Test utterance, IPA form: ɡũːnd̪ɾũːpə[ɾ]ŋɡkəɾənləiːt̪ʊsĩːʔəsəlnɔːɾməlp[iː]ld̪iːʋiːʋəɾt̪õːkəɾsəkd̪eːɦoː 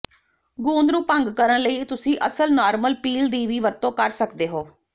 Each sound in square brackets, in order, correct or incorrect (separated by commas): incorrect, correct